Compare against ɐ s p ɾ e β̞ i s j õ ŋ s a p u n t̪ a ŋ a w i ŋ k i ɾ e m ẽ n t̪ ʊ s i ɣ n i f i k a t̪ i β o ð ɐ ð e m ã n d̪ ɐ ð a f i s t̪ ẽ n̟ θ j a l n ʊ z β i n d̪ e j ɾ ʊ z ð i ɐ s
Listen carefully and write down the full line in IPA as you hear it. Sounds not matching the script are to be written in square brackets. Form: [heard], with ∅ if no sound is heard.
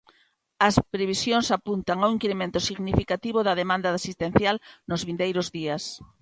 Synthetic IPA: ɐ s p ɾ e β̞ i s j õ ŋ s a p u n t̪ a ŋ a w i ŋ k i ɾ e m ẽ n t̪ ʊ s i ɣ n i f i k a t̪ i β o ð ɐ ð e m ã n d̪ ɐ ð a [s] i s t̪ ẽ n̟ θ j a l n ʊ z β i n d̪ e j ɾ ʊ z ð i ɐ s